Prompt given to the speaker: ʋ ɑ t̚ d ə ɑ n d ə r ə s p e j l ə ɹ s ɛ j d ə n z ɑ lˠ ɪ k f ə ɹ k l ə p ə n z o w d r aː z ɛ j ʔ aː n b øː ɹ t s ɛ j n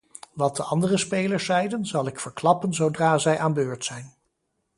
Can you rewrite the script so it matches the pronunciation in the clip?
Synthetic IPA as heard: ʋ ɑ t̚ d ə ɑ n d ə r ə s p e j l ə ɹ s ɛ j d ə n z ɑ lˠ ɪ k f ə ɹ k l ɑ p ə n z o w d r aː z ɛ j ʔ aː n b øː ɹ t s ɛ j n